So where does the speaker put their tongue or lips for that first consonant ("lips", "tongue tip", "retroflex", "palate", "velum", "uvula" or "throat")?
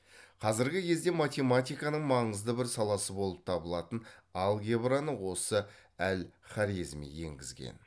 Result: uvula